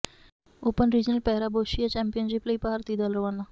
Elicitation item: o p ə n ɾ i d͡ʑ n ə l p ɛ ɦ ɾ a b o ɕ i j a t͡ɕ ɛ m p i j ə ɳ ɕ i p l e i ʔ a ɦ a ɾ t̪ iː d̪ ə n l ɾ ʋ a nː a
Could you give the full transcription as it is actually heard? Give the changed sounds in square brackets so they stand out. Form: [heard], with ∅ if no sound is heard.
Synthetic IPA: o p ə n ɾ i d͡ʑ n ə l p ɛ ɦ ɾ a b o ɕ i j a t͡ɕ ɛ m p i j ə [n] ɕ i p l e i [p] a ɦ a ɾ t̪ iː d̪ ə [∅] l ɾ ʋ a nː a